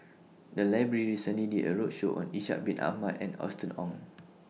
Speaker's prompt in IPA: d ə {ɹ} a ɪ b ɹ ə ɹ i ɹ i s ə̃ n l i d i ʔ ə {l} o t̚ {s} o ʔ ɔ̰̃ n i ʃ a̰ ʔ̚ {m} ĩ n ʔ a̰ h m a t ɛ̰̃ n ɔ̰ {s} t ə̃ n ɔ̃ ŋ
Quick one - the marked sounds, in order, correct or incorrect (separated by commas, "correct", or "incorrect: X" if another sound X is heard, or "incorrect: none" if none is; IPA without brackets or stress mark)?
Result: incorrect: l, incorrect: ɹ, incorrect: ʃ, incorrect: b, correct